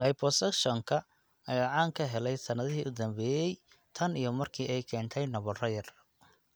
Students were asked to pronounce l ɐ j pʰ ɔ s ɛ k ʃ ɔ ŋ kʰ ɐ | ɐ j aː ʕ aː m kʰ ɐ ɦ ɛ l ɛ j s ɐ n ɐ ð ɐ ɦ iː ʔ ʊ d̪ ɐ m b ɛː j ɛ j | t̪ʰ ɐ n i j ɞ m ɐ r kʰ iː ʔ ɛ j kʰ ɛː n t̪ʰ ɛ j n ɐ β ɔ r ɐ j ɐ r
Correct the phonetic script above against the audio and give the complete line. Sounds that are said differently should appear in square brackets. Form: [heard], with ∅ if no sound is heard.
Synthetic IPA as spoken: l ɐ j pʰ ɔ s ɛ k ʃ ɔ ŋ kʰ ɐ | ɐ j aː ʕ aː [ŋ] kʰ ɐ ɦ ɛ l ɛ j s ɐ n ɐ ð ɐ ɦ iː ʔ ʊ d̪ ɐ m b ɛː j ɛ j | t̪ʰ ɐ n i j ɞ m ɐ r kʰ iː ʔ ɛ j kʰ ɛː n t̪ʰ ɛ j n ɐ β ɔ r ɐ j ɐ r